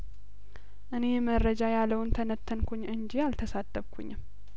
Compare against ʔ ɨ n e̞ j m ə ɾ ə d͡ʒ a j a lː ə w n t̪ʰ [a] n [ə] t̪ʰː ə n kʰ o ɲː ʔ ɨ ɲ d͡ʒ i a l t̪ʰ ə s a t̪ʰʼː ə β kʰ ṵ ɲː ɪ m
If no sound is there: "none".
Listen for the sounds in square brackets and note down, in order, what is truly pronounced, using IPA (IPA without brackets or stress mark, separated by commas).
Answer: ə, ə